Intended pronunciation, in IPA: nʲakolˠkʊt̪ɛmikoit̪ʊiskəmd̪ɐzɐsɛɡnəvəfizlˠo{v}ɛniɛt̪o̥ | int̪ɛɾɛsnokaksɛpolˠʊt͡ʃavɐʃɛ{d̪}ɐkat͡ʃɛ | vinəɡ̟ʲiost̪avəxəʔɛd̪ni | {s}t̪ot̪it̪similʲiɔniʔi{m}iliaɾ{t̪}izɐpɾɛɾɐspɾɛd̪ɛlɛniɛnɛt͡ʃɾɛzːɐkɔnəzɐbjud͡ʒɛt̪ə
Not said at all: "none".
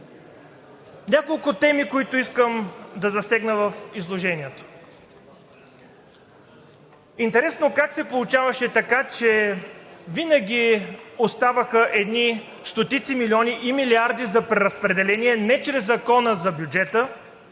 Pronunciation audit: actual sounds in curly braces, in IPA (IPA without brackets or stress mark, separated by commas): ʒ, t̪, s, m, d̪